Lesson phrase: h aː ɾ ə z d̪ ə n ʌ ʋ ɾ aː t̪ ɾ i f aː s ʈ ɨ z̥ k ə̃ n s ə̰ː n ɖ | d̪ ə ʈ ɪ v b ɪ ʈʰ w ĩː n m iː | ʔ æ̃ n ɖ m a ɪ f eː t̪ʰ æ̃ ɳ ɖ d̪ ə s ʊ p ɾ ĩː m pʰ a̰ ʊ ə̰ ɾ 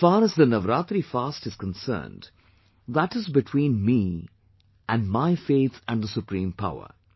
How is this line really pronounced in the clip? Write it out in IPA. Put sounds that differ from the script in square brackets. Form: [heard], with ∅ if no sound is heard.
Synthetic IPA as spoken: [f] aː ɾ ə z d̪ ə n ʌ ʋ ɾ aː t̪ ɾ i f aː s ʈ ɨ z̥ k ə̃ n s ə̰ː n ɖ | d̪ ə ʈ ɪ [z] b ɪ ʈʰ w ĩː n m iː | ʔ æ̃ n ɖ m a ɪ f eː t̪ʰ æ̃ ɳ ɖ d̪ ə s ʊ p ɾ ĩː m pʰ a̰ ʊ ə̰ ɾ